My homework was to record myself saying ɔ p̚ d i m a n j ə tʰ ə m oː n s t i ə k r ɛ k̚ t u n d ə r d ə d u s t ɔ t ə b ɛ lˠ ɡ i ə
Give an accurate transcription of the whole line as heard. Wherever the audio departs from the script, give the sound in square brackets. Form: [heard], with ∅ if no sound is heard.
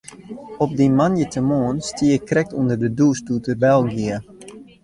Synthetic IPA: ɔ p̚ d i m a n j ə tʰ ə m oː n s t i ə k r ɛ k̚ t u n d ə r d ə d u s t [u] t ə b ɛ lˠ ɡ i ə